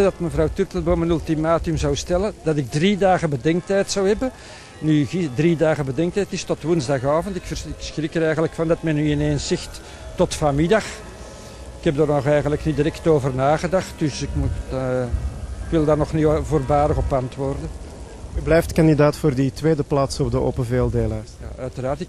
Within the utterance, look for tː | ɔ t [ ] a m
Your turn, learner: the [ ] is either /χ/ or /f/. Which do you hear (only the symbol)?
f